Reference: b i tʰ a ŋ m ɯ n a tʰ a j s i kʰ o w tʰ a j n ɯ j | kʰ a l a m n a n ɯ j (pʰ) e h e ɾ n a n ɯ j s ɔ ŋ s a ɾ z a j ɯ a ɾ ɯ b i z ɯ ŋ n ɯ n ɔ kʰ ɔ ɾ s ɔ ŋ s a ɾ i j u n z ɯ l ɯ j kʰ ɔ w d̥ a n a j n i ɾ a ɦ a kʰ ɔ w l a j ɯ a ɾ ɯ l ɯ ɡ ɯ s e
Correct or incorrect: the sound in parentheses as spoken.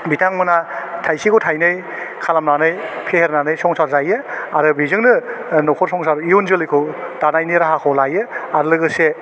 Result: correct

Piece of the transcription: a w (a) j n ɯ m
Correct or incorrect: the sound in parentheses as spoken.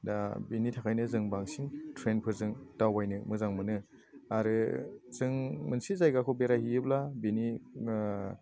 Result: correct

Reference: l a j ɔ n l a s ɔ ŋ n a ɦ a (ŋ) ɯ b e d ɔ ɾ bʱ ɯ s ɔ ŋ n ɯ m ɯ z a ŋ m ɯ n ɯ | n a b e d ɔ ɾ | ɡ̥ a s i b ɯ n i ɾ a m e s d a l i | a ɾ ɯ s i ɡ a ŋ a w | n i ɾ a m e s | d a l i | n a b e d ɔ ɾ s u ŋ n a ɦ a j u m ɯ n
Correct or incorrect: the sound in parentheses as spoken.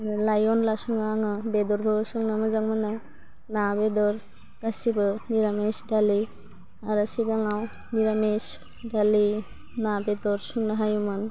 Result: correct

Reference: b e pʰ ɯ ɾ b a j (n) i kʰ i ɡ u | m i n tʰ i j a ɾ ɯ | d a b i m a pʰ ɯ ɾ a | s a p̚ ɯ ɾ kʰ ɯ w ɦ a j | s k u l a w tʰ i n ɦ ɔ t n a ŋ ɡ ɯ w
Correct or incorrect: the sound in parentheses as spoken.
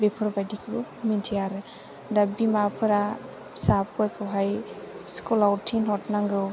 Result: incorrect: d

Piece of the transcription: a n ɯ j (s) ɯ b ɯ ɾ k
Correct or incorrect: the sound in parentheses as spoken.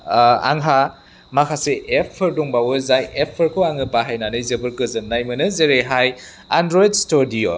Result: incorrect: z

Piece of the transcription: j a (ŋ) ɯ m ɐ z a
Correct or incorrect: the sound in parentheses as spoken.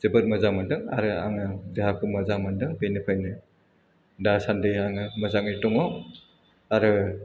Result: correct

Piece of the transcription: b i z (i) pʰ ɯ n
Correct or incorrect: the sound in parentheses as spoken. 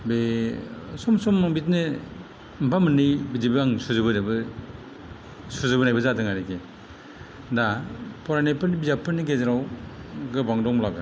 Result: incorrect: a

